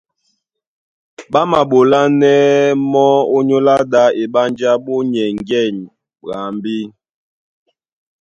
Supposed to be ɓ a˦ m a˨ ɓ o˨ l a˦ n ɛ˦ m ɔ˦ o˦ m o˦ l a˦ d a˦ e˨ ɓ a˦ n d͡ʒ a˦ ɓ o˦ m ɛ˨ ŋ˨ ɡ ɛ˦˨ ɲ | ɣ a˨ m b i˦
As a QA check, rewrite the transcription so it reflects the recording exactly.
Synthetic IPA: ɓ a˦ m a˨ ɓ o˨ l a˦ n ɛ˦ m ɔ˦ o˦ ɲ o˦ l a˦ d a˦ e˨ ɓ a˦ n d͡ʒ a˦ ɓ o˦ ɲ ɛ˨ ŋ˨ ɡ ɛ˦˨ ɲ | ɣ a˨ m b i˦